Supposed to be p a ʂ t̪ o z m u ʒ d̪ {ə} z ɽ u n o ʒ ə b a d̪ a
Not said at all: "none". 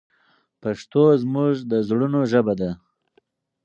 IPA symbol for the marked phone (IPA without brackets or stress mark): ə